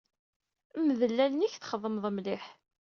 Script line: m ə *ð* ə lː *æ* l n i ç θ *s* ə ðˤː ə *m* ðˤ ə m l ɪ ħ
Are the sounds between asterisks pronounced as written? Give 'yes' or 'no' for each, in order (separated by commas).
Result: yes, yes, no, yes